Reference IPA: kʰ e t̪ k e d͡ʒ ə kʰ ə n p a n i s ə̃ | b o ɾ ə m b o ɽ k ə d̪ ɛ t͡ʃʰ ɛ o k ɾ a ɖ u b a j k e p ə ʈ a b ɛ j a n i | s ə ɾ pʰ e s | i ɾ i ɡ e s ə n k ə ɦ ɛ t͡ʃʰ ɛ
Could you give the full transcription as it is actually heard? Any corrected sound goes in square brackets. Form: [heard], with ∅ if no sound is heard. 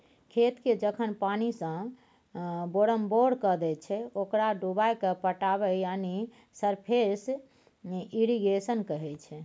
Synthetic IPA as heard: kʰ e t̪ k e d͡ʒ ə kʰ ə n p a n i s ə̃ | b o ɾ ə m b o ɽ k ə d̪ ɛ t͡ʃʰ ɛ o k ɾ a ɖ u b a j k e p ə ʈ a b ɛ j a n i | s ə ɾ pʰ e s | i ɾ i ɡ e s ə n k ə ɦ ɛ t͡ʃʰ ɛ